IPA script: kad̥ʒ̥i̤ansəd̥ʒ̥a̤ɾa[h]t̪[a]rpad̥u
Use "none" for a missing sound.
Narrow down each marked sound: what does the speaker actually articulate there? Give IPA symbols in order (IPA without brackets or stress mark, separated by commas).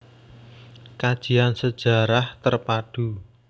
h, ə